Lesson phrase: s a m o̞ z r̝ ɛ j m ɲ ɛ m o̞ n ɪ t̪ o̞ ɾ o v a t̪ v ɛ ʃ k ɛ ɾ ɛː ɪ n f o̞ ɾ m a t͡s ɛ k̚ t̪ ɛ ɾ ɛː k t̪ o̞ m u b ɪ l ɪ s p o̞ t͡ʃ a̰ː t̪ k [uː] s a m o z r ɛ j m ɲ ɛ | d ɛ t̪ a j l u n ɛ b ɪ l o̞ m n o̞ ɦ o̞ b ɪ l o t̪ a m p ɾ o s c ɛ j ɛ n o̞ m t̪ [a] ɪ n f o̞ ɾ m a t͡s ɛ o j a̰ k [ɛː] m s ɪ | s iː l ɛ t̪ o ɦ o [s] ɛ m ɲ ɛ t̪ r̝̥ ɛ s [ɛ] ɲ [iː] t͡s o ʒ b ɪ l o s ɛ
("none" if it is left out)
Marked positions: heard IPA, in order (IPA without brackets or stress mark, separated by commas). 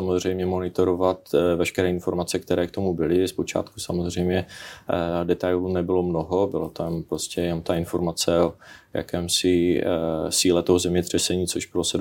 u, a, ɛː, z, ɛ, iː